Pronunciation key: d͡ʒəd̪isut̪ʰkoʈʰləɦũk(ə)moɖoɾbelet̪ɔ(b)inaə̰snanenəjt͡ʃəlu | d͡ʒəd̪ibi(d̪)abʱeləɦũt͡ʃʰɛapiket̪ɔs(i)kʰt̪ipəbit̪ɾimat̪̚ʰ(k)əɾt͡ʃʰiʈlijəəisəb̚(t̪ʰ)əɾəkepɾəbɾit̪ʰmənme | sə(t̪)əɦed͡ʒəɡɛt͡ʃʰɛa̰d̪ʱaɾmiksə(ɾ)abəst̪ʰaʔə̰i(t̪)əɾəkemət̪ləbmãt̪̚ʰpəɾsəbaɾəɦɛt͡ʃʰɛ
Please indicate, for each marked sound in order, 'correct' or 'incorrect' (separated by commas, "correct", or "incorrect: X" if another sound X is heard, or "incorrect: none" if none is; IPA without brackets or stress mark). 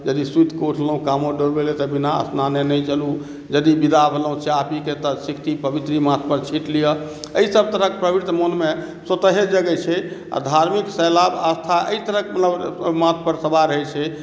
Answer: incorrect: a, correct, correct, correct, incorrect: p, incorrect: t̪, correct, incorrect: l, correct